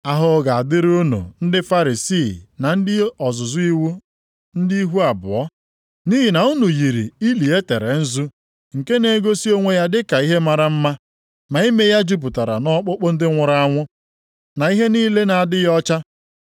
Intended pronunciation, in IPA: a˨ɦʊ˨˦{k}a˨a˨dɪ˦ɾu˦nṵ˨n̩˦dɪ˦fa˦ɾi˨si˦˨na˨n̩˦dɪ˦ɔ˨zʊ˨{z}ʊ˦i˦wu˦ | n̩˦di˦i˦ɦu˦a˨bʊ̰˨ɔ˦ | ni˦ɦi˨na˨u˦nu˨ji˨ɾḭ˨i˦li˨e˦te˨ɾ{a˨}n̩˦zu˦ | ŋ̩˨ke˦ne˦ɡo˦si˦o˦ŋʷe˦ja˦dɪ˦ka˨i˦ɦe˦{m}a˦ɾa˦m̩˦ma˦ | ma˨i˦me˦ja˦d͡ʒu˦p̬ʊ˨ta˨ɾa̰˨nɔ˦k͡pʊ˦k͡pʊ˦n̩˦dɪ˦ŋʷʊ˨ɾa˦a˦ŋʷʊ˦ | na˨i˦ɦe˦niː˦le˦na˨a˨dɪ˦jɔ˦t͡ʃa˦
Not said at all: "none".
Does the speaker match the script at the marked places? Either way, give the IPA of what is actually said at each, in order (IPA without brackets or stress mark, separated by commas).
ɡ, z, e˨, m